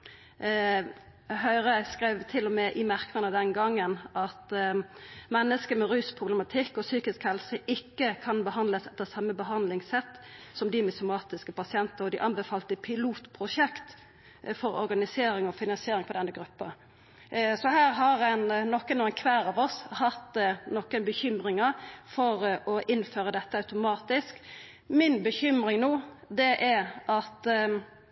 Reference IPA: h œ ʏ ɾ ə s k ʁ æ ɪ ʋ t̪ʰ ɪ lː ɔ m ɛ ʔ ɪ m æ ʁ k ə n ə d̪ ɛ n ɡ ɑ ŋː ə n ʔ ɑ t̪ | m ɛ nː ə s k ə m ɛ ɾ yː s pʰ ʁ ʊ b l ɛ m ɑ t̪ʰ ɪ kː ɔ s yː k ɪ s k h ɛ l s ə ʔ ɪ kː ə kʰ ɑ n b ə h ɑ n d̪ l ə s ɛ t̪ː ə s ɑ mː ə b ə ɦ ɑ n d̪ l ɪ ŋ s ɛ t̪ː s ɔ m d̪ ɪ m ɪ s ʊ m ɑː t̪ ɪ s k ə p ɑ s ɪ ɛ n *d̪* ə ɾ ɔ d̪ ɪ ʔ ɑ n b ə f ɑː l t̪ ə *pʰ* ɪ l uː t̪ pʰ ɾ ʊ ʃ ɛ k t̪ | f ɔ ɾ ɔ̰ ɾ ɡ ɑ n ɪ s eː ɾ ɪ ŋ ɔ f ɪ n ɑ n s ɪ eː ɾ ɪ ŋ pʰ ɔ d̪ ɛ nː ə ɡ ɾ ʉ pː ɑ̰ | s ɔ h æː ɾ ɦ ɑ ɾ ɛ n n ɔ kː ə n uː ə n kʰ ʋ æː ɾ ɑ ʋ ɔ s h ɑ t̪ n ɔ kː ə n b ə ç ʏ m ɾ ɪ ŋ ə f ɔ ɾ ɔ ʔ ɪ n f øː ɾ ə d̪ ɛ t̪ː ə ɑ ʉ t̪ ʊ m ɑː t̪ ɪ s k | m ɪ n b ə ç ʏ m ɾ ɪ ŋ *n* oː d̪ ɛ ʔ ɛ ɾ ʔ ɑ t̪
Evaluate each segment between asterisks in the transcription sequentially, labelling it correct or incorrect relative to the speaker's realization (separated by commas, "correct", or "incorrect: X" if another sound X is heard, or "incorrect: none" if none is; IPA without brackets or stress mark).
incorrect: t̪, correct, correct